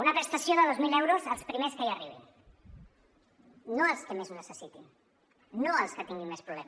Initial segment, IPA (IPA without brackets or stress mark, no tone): u